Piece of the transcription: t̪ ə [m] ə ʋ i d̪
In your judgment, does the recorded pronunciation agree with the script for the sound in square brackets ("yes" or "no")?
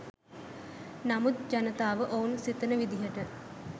no